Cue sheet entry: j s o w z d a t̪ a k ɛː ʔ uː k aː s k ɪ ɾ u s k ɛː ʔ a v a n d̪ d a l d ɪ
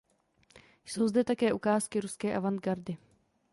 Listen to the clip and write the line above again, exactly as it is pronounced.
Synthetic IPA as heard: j s o w z d ɛ t̪ a k ɛː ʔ u k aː s k ɪ ɾ u s k ɛː ʔ a v a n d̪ ɡ a ɾ d ɪ